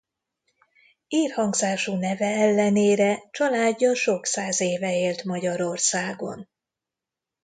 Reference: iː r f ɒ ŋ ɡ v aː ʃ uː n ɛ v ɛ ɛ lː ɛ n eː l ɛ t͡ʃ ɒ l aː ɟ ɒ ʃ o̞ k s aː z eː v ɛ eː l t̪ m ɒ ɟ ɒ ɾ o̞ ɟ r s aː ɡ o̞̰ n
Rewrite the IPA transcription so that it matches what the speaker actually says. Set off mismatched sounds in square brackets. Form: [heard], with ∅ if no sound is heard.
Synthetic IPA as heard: iː r [h] ɒ ŋ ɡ [z] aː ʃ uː n ɛ v ɛ ɛ lː ɛ n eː [ɾ] ɛ t͡ʃ ɒ l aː [ɟː] ɒ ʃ o̞ k s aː z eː v ɛ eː l t̪ m ɒ ɟ ɒ ɾ o̞ [∅] r s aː ɡ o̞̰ n